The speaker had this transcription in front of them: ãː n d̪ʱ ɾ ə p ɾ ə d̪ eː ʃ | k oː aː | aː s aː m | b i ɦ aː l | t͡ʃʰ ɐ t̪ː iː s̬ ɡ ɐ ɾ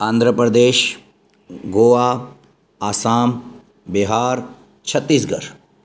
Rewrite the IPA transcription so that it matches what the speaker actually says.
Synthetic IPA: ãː n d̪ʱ ɾ ə p ɾ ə d̪ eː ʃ | ɡ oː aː | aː s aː m | b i ɦ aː ɾ | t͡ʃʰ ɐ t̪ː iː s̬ ɡ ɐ ɾ

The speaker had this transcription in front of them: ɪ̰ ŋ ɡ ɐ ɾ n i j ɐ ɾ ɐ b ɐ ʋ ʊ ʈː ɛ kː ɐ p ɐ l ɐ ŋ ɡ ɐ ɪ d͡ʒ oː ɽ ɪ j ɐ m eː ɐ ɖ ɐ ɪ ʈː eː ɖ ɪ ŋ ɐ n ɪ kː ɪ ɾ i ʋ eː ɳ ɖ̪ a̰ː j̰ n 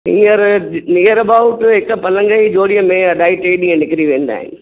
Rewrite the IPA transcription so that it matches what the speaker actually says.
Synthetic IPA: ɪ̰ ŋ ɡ ɐ ɾ n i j ɐ ɾ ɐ b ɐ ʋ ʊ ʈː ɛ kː ɐ p ɐ l ɐ ŋ ɡ ɐ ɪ d͡ʒ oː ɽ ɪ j ɐ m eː ɐ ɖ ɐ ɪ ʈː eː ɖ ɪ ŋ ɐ n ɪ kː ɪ ɾ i ʋ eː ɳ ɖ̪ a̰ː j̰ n

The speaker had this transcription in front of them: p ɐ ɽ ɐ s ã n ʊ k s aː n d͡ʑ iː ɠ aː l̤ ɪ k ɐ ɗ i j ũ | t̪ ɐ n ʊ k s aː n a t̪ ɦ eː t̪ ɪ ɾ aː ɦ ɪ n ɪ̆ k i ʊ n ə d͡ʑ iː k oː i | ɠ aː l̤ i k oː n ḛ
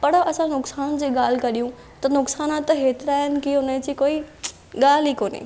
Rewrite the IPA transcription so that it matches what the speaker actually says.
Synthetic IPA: p ɐ ɽ ɐ s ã n ʊ k s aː n d͡ʑ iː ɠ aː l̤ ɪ k ɐ ɗ i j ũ | t̪ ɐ n ʊ k s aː n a t̪ ɦ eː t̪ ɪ ɾ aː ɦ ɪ n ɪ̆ k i ʊ n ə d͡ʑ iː k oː i | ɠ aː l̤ i k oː n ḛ

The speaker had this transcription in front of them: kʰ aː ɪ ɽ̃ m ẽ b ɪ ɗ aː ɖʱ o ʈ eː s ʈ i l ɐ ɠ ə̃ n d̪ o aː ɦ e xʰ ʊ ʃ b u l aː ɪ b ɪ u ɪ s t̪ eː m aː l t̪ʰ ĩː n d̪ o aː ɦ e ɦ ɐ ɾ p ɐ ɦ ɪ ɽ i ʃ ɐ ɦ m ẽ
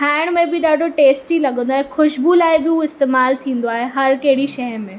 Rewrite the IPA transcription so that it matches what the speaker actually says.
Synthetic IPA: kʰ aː ɪ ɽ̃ m ẽ b ɪ ɗ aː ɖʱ o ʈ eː s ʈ i l ɐ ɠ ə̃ n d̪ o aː ɦ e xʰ ʊ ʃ b u l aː ɪ b ɪ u ɪ s t̪ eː m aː l t̪ʰ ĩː n d̪ o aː ɦ e ɦ ɐ ɾ k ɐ ɦ ɪ ɽ i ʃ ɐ ɦ m ẽ

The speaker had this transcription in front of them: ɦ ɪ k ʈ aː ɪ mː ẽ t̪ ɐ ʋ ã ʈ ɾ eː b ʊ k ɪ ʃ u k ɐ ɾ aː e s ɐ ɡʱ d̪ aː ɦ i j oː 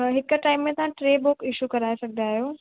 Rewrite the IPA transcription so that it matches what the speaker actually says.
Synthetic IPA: ɦ ɪ k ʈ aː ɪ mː ẽ t̪ ɐ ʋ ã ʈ ɾ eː b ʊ k ɪ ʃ u k ɐ ɾ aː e s ɐ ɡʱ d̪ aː ɦ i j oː

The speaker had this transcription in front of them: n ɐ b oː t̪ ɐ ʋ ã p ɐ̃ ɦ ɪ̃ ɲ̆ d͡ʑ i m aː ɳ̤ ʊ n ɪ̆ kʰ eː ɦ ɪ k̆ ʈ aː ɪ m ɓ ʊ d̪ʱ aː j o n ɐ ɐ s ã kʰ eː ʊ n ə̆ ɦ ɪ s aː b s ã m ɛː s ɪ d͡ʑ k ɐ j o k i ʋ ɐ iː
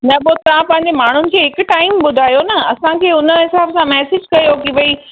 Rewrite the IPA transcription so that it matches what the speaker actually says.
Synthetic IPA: n ɐ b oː t̪ ɐ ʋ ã p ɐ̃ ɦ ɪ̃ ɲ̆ d͡ʑ e m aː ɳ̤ ʊ n ɪ̆ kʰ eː ɦ ɪ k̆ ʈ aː ɪ m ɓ ʊ d̪ʱ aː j o n ɐ ɐ s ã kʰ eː ʊ n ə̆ ɦ ɪ s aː b s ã m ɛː s ɪ d͡ʑ k ɐ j o k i ʋ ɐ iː

